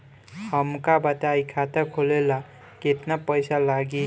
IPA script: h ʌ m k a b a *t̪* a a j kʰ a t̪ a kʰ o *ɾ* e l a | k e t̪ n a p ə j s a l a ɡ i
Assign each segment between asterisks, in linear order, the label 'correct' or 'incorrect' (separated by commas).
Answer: correct, incorrect